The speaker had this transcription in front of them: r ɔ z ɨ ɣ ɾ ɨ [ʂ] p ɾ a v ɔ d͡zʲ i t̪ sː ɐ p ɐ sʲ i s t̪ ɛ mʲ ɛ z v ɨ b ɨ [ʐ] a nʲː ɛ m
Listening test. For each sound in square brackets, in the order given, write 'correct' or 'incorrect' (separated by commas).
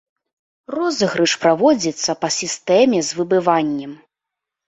correct, incorrect